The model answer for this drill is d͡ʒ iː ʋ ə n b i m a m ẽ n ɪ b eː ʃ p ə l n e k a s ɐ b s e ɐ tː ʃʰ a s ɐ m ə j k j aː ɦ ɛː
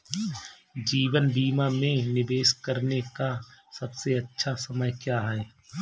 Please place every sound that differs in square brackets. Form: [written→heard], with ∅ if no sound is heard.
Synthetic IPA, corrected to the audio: d͡ʒ iː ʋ ə n b [i→iː] m a m ẽ n ɪ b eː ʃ [p→k] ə [l→ɾ] n e k a s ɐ b s e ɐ tː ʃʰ a s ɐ m ə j k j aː ɦ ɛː